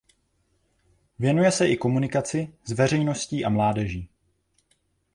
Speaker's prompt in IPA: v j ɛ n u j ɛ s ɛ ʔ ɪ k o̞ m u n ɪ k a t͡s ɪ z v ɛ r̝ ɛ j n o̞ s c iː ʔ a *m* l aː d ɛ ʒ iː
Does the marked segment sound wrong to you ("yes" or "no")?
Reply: no